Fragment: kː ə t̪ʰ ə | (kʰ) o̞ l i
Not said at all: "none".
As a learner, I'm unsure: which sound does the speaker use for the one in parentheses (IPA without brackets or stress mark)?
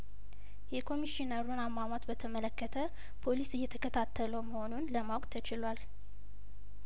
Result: pʰ